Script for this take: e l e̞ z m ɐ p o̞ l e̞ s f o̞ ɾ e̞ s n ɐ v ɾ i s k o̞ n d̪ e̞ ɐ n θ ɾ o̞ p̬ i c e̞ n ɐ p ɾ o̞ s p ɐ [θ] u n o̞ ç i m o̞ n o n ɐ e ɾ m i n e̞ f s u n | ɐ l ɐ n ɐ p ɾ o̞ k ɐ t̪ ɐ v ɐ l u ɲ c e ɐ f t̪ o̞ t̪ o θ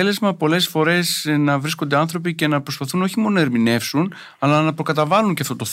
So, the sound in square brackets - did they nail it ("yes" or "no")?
yes